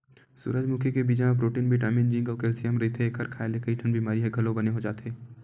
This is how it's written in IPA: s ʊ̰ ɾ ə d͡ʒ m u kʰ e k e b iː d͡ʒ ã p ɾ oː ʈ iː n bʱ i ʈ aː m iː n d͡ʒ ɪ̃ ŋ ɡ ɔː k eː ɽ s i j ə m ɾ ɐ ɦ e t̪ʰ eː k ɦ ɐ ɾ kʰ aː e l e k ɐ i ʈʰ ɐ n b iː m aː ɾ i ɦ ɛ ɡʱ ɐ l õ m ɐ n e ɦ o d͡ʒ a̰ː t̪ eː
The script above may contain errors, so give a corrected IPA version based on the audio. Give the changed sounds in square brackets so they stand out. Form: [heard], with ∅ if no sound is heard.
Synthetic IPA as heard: s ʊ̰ ɾ ə d͡ʒ m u kʰ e k e b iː d͡ʒ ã p ɾ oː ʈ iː n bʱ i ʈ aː m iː n d͡ʒ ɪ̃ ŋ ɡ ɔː k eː [l] s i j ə m ɾ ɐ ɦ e t̪ʰ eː k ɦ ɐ ɾ kʰ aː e l e k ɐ i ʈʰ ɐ n b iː m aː ɾ i ɦ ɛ ɡʱ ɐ l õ [b] ɐ n e ɦ o d͡ʒ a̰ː t̪ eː